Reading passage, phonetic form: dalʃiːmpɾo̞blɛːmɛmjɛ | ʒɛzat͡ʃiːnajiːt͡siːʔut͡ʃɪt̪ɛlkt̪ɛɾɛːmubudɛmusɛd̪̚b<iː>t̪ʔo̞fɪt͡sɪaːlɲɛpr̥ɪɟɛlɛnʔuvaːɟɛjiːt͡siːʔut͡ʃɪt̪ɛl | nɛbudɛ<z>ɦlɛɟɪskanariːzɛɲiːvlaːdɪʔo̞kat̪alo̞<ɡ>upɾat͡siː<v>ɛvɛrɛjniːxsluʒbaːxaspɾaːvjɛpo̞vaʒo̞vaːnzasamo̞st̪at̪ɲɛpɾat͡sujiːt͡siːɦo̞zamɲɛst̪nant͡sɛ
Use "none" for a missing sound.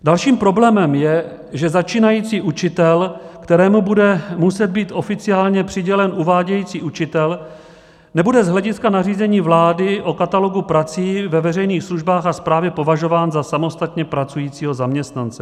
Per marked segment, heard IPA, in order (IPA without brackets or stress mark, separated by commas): iː, z, ɡ, v